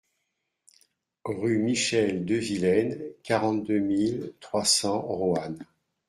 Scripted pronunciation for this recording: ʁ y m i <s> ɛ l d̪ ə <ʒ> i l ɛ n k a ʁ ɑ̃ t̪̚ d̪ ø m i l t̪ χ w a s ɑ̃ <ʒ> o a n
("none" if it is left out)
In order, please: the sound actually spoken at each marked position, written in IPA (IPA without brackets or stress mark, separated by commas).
ʃ, v, ʁ